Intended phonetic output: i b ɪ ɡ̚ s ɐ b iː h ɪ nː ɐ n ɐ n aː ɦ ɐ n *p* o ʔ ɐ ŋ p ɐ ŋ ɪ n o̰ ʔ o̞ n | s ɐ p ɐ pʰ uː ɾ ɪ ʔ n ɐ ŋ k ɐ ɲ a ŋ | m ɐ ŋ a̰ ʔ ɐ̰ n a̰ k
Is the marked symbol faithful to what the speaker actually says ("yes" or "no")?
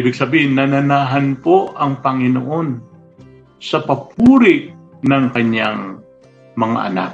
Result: yes